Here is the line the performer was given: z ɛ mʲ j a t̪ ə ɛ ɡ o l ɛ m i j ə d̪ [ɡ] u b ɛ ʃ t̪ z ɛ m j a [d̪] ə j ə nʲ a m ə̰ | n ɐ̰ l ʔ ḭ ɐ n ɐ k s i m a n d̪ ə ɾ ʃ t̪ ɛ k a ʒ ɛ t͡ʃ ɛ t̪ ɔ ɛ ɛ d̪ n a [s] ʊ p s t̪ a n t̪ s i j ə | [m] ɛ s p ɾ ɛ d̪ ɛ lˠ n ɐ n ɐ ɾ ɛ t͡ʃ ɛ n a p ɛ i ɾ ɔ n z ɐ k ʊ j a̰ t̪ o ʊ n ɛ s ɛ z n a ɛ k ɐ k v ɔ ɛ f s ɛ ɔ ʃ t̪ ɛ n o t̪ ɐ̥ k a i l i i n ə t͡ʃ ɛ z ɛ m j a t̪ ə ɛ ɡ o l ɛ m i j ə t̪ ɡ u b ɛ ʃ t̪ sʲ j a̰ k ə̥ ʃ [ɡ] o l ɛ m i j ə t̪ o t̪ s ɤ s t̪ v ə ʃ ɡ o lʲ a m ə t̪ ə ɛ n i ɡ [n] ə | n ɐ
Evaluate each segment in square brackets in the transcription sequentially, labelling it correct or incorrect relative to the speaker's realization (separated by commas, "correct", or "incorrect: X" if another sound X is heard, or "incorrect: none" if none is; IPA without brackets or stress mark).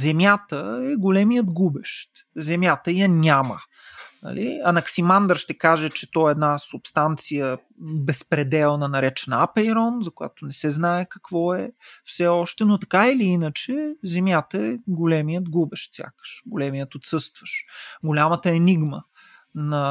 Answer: correct, incorrect: t̪, correct, incorrect: b, correct, incorrect: m